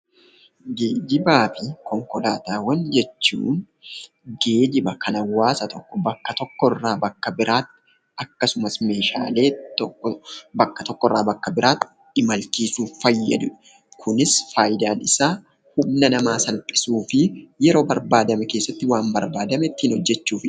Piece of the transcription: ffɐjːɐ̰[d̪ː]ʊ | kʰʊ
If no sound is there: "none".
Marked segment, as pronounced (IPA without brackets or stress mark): d̪